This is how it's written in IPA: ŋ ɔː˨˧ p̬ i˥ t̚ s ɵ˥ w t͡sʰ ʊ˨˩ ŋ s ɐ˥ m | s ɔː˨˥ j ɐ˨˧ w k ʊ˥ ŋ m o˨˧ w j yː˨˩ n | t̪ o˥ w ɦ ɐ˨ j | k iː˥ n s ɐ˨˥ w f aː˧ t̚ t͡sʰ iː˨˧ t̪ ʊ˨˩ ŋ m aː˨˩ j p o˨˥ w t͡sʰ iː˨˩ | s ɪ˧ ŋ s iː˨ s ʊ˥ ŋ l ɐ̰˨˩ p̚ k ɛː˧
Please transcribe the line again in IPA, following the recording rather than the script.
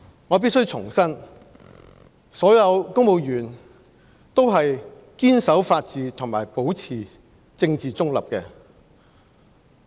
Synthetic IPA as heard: ŋ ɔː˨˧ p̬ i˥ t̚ s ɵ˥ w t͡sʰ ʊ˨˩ ŋ s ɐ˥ n | s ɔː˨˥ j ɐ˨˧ w k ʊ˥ ŋ m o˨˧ w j yː˨˩ n | t̪ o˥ w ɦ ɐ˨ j | k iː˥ n s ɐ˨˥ w f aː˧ t̚ t͡s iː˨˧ t̪ʰ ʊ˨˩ ŋ m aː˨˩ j p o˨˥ w t͡sʰ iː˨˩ | t͡s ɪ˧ ŋ t͡s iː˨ t͡s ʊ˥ ŋ l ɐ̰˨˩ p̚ k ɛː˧